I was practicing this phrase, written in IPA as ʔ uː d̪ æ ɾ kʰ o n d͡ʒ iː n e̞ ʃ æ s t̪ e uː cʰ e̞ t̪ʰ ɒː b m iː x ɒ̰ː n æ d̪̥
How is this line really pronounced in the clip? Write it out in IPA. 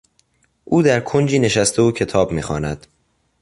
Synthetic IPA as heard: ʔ uː d̪ æ ɾ kʰ o n d͡ʒ iː n e̞ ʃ æ s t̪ e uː cʰ e̞ t̪ʰ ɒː b m iː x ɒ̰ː n æ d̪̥